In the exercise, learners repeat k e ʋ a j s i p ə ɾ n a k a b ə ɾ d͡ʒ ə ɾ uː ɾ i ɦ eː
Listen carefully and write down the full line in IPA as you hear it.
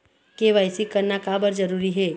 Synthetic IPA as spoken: k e ʋ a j s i k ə ɾ n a k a b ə ɾ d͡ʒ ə ɾ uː ɾ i ɦ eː

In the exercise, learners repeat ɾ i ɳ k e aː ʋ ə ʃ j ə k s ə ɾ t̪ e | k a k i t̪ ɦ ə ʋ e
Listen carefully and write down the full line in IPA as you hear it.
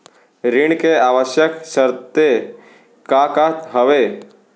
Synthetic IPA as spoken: ɾ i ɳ k e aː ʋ ə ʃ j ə k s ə ɾ t̪ e | k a k a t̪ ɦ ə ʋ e

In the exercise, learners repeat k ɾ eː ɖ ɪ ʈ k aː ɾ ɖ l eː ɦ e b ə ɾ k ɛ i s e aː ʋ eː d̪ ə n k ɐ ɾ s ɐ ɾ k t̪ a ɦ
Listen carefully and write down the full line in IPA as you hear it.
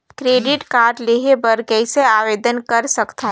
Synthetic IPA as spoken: k ɾ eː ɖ ɪ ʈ k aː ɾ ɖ l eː ɦ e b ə ɾ k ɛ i s e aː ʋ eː d̪ ə n k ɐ ɾ s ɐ k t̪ a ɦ

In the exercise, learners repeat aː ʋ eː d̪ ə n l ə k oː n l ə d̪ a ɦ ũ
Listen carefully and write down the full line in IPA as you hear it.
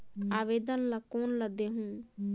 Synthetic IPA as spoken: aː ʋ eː d̪ ə n l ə k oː n l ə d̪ e ɦ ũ

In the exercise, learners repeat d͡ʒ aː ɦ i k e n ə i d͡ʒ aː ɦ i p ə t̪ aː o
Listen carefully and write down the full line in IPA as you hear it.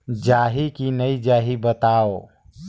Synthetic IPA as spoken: d͡ʒ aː ɦ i k i n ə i d͡ʒ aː ɦ i b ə t̪ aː o

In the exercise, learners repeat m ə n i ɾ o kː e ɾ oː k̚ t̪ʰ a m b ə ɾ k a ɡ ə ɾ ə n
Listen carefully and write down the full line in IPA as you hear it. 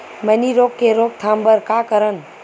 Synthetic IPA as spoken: m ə n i ɾ o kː e ɾ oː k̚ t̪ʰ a m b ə ɾ k a k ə ɾ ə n

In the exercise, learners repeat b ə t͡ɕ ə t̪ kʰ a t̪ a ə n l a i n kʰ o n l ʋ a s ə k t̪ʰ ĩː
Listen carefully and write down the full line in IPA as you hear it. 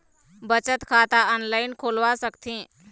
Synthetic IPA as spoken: b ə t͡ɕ ə t̪ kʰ a t̪ a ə n l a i n kʰ o l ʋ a s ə k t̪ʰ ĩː

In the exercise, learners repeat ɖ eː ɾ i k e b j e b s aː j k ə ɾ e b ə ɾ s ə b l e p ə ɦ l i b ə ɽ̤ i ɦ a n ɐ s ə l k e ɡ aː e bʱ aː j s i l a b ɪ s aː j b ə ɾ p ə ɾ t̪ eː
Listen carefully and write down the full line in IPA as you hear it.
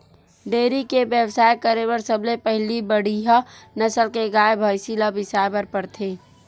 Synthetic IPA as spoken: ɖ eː ɾ i k e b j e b s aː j k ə ɾ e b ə ɾ s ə b l e p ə ɦ l i b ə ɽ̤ i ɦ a n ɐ s ə l k e ɡ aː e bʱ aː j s i l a b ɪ s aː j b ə ɾ p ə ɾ t̪ʰ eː

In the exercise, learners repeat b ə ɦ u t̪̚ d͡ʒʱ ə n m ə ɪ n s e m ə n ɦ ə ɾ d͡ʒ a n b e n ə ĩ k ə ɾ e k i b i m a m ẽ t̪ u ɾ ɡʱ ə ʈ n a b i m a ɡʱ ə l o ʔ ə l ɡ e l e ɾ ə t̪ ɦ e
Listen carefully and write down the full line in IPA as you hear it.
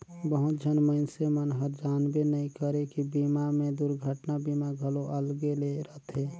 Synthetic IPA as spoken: b ə ɦ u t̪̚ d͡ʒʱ ə n m ə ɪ n s e m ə n ɦ ə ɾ d͡ʒ a n b e n ə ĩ k ə ɾ e k i b i m a m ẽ d̪ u ɾ ɡʱ ə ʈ n a b i m a ɡʱ ə l o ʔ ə l ɡ e l e ɾ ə t̪ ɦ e

